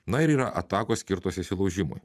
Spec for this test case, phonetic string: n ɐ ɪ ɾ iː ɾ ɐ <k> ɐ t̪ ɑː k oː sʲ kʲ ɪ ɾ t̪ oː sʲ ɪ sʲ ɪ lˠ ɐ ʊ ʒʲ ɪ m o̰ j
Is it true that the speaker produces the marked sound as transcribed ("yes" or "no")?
no